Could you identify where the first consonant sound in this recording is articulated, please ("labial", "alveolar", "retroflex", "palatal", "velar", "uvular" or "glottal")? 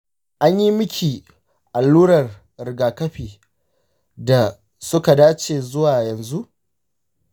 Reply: glottal